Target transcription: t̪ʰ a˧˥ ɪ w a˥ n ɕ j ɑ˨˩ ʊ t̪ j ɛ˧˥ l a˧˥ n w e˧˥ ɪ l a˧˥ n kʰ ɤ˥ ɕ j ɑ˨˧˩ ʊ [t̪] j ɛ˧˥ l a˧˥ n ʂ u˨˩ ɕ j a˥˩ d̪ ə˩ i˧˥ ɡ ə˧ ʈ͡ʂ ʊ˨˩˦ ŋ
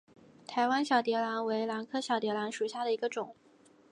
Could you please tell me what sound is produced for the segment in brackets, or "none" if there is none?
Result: t̪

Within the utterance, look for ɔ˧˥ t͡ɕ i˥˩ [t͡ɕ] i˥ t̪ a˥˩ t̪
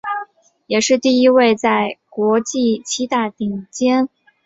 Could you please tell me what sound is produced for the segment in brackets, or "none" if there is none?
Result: t͡ɕʰ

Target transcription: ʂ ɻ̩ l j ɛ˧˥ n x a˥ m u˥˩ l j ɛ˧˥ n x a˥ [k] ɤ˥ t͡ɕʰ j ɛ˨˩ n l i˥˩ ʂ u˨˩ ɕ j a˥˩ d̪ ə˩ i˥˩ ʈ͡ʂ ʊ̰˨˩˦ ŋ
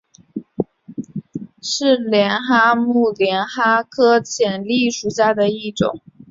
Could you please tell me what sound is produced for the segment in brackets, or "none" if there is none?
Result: kʰ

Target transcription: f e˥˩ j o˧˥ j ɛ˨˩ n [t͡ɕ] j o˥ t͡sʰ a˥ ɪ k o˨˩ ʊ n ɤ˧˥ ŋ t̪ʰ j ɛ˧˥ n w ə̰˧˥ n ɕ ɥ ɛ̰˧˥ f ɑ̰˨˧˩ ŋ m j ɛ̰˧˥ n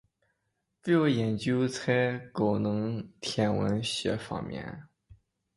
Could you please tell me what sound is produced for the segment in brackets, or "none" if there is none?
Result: t͡ɕ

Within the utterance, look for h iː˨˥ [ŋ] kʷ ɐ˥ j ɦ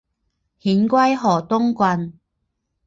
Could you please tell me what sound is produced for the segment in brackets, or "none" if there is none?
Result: n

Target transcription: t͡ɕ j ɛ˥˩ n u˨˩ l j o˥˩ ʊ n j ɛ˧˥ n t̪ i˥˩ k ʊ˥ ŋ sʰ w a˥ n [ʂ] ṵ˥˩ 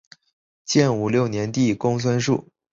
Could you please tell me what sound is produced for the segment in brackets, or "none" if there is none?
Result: ʂ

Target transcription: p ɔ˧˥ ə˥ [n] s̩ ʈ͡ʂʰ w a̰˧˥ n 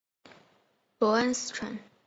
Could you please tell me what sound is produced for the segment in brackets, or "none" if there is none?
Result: n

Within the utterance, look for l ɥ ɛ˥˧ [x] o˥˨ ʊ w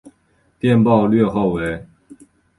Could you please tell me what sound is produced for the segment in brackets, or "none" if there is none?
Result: x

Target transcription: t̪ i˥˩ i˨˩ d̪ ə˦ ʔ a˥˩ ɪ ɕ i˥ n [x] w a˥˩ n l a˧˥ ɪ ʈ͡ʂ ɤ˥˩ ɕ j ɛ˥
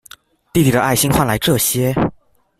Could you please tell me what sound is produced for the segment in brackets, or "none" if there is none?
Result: x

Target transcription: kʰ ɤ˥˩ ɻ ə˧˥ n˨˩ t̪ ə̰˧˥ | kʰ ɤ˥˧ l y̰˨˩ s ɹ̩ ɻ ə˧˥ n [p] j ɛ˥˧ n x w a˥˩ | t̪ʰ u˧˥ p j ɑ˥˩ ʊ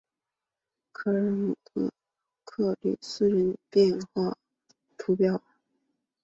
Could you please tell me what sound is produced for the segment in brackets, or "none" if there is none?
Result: p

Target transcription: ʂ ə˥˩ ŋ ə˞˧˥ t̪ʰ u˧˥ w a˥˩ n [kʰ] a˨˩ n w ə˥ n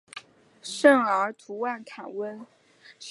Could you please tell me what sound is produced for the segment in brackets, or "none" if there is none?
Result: kʰ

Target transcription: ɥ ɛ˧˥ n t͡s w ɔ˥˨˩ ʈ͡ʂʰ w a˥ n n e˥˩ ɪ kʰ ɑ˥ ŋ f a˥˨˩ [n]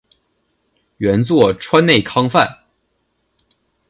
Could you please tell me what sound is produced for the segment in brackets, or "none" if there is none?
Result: n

